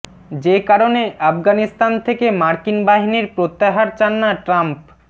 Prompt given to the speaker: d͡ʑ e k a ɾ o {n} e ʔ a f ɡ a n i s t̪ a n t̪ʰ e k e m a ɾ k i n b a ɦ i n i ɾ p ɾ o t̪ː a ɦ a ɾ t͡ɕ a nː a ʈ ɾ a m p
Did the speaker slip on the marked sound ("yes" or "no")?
no